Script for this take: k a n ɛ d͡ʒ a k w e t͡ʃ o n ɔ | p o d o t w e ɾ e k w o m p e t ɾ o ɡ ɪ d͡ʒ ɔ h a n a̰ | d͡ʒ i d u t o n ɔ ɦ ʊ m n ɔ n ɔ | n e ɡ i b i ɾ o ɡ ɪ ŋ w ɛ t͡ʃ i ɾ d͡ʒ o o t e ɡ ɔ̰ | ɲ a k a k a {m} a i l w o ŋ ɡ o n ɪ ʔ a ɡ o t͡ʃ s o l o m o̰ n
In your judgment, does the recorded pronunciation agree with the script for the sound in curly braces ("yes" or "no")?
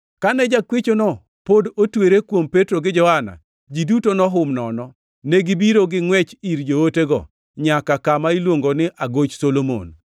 yes